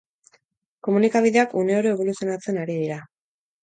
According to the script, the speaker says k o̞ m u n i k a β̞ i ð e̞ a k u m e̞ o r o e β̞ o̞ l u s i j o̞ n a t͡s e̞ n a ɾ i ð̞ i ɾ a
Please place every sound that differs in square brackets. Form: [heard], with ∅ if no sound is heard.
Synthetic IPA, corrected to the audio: k o̞ m u n i k a β̞ i ð e̞ a k u [n] e̞ o [ɾ] o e β̞ o̞ l u s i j o̞ n a t͡s e̞ n a ɾ i ð̞ i ɾ a